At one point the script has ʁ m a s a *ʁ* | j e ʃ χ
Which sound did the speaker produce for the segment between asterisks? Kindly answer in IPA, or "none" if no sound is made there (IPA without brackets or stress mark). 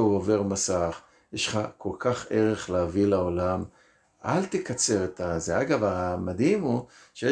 χ